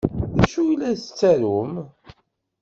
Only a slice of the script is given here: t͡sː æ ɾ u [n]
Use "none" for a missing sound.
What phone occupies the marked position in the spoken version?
m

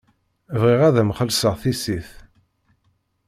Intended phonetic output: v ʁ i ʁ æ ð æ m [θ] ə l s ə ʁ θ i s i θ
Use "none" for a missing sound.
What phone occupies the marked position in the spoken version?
χ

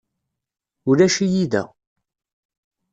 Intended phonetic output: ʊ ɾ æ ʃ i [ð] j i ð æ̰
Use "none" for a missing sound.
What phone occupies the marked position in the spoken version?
none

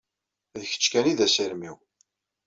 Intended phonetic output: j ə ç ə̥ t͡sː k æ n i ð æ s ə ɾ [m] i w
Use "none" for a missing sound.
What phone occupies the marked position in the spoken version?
m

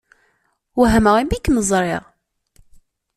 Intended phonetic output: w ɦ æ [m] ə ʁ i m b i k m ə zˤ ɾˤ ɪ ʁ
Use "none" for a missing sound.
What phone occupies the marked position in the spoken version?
m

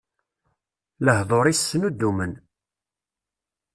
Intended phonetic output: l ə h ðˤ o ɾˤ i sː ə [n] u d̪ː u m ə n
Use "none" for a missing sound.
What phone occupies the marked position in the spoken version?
n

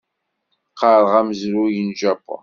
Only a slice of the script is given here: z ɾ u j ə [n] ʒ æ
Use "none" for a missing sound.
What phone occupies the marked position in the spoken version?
n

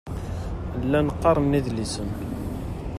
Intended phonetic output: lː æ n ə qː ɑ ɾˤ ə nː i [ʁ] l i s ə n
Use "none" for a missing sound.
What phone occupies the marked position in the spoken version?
ð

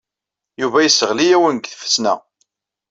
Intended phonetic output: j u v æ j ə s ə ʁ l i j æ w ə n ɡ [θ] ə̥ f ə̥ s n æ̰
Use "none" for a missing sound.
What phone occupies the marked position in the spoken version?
θ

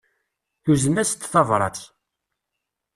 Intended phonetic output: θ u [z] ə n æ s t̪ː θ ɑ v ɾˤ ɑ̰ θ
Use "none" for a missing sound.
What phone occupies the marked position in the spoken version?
z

